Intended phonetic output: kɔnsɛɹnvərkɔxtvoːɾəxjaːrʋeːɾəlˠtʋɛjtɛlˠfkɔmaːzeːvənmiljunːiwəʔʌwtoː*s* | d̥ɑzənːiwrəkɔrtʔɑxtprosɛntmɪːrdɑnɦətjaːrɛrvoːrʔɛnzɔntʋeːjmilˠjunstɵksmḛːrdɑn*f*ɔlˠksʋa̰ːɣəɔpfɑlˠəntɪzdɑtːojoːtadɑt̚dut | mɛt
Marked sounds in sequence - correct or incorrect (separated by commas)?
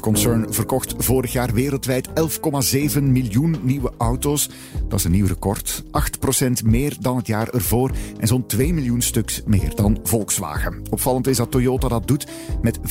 correct, incorrect